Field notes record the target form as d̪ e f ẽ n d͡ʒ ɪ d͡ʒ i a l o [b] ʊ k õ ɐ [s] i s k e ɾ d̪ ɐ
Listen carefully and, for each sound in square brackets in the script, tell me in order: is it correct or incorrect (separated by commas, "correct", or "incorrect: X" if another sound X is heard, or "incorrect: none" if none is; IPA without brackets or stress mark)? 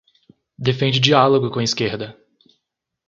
incorrect: ɡ, incorrect: none